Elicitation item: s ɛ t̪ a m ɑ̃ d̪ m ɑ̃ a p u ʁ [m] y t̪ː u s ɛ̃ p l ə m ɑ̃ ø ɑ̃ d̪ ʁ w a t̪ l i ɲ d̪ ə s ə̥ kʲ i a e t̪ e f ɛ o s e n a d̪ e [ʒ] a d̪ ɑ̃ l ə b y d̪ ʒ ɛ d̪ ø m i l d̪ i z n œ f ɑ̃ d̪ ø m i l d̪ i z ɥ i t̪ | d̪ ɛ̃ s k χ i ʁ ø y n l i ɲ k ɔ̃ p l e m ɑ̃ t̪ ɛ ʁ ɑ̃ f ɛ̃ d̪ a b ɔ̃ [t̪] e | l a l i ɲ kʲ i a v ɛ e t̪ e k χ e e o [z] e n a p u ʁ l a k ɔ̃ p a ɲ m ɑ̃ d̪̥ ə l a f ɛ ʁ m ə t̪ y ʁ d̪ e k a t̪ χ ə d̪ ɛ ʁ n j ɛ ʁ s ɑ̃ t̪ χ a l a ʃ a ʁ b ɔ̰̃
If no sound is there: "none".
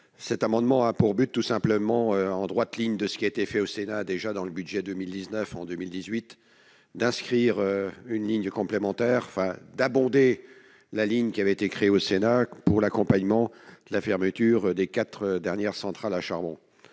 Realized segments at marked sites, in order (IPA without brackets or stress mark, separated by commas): b, ʒ, d̪, s